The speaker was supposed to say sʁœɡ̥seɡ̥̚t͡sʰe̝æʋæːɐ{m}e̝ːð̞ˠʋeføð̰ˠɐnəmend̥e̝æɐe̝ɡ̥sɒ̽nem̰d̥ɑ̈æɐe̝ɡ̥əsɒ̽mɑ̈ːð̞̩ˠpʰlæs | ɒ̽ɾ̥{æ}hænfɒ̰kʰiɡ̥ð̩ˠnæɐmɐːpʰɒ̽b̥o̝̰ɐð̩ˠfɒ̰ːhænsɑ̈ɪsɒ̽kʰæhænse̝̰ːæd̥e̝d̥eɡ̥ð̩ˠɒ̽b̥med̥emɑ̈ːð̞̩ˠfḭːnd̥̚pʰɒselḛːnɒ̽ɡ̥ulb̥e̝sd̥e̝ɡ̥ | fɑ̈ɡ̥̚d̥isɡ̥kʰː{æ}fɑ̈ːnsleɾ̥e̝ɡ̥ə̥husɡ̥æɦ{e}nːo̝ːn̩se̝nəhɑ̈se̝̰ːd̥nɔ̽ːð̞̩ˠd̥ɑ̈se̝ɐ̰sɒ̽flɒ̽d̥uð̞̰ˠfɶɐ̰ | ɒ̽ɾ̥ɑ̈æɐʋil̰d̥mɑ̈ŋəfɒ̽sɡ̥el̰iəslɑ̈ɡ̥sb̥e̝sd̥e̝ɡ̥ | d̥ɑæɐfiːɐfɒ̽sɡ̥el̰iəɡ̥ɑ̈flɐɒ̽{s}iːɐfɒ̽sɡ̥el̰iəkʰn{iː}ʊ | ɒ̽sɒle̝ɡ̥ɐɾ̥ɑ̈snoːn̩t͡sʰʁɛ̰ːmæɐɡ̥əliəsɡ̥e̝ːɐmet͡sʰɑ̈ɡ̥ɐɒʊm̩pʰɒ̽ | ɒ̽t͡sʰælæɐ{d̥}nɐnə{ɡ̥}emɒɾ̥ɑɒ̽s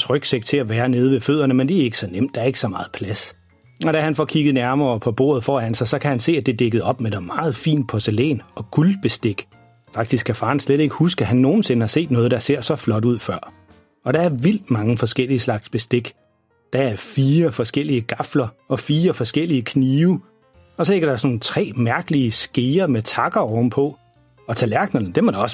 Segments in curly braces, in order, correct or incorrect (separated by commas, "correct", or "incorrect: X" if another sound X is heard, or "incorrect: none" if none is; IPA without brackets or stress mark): incorrect: n, correct, correct, incorrect: æ, incorrect: f, correct, incorrect: ɡ̥, incorrect: d̥